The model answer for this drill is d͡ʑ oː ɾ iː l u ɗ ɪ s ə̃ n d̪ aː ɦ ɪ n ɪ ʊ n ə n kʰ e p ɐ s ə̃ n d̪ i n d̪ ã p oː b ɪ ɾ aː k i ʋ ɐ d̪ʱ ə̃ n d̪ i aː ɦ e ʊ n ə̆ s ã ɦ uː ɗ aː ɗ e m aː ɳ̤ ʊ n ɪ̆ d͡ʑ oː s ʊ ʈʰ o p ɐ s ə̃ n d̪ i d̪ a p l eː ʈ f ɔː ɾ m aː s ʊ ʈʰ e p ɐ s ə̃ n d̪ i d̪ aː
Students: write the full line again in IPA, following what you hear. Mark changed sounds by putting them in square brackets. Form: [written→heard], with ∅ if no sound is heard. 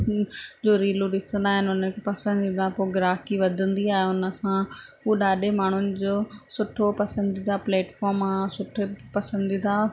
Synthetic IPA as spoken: d͡ʑ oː ɾ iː l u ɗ ɪ s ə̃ n d̪ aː ɦ ɪ n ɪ ʊ n ə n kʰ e p ɐ s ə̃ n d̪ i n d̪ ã p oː [b→ɡ] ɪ ɾ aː k i ʋ ɐ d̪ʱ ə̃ n d̪ i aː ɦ e ʊ n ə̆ s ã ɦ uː ɗ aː ɗ e m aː ɳ̤ ʊ n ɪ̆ d͡ʑ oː s ʊ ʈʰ o p ɐ s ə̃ n d̪ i d̪ a p l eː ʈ f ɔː ɾ m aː s ʊ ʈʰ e p ɐ s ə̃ n d̪ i d̪ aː